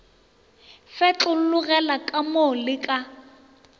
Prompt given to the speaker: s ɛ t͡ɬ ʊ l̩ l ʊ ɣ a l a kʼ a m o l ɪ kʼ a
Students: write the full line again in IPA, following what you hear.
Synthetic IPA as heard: f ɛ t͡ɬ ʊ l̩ l ʊ ɣ ɛ l a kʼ a m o l ɪ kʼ a

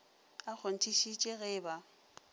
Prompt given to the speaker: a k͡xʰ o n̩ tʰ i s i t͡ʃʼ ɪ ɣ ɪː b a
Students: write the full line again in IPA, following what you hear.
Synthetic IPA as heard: a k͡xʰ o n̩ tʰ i ʃ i t͡ʃʼ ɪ ɣ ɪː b a

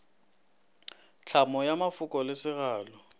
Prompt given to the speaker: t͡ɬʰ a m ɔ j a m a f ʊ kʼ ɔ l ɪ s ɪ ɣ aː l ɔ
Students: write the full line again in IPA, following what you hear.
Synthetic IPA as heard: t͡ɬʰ a m ɔ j a m a f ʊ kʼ ɔ l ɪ s ɪ ɣ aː l ɔ

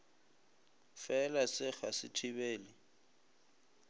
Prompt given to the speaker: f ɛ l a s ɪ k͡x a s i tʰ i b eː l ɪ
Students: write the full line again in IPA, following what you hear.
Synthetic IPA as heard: f ɛ l a s ɪ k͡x a s ɪ tʰ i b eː l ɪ

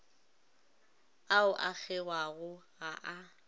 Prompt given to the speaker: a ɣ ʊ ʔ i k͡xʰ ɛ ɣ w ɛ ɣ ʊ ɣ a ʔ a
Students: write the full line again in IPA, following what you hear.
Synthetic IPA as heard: a ʊ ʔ a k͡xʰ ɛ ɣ w a ɣ ʊ ɣ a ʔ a

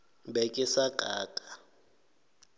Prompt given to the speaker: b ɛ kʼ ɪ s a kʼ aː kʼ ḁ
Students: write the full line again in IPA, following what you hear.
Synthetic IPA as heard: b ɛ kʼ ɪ s a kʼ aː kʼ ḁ

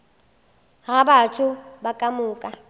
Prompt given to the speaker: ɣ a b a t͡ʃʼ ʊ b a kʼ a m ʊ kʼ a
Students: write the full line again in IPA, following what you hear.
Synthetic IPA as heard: ɣ a b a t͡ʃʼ ʊ b a kʼ a m ʊː kʼ a

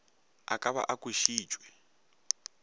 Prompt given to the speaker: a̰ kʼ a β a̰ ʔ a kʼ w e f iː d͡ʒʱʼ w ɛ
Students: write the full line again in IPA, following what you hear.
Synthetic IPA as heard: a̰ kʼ a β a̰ ʔ a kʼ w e ʃ iː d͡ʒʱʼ w ɛ

